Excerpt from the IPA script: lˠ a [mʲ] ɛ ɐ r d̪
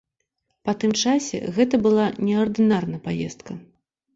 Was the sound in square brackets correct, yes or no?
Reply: no